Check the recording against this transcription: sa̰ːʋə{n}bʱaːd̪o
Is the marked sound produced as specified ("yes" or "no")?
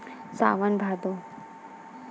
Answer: yes